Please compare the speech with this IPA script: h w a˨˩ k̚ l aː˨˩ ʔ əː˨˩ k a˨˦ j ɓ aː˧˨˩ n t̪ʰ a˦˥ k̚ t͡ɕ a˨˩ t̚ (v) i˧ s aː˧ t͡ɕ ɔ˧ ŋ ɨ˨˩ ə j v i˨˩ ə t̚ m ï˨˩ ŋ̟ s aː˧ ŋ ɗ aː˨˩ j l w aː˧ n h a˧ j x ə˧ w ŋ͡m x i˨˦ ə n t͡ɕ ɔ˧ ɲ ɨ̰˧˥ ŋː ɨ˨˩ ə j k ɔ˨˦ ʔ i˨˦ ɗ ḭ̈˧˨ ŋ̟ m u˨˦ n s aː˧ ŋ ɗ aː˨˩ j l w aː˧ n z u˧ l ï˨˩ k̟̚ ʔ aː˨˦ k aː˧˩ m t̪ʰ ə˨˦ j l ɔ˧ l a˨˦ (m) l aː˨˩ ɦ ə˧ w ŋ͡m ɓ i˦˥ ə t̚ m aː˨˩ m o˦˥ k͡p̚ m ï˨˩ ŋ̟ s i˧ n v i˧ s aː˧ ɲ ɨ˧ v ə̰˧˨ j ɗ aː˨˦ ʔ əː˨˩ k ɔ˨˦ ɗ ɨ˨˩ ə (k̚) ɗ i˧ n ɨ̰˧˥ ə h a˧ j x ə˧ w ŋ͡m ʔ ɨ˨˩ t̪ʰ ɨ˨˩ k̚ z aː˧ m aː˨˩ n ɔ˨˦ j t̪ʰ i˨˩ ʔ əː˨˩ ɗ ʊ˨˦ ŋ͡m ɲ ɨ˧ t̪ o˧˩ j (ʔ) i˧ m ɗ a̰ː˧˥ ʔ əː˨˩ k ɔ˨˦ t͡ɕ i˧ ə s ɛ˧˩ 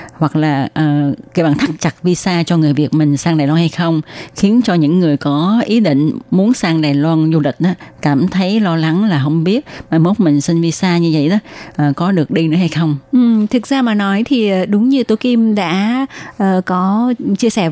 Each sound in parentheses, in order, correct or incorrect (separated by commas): correct, incorrect, correct, incorrect